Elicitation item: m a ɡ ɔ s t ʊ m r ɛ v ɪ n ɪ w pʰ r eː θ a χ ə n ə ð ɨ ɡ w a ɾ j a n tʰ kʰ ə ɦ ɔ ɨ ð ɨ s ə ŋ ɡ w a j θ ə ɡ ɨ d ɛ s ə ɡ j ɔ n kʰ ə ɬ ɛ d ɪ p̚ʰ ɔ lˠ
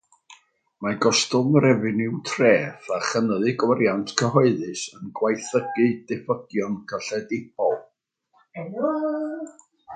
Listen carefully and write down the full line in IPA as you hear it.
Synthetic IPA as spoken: m a ɡ ɔ s t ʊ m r ɛ v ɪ n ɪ w tʰ r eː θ a χ ə n ə ð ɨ ɡ w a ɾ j a n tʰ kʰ ə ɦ ɔ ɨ ð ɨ s ə n ɡ w a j θ ə ɡ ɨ d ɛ f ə ɡ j ɔ n kʰ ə ɬ ɛ d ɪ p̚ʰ ɔ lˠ